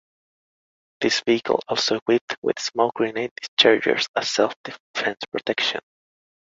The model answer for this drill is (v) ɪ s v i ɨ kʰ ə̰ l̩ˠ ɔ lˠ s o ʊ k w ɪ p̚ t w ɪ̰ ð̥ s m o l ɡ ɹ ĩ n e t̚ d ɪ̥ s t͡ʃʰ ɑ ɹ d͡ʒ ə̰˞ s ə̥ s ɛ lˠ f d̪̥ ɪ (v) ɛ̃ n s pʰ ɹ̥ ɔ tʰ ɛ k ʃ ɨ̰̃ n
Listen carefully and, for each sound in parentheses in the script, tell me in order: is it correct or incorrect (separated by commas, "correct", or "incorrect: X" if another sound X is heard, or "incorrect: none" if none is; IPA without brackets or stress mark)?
incorrect: ð, incorrect: f